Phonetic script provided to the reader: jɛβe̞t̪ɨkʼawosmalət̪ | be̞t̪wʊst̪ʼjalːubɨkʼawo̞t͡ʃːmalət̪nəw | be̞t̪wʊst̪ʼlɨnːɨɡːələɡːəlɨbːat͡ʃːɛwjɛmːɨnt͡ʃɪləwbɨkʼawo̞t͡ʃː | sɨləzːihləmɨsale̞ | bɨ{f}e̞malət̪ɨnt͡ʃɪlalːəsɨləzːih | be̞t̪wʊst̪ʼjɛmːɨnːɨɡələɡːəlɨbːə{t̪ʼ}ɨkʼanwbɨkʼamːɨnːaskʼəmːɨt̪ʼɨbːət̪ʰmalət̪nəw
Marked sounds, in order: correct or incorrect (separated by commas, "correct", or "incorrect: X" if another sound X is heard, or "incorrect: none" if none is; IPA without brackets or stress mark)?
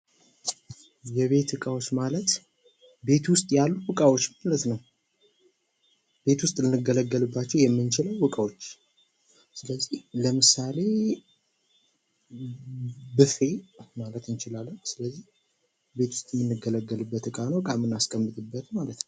correct, incorrect: t̪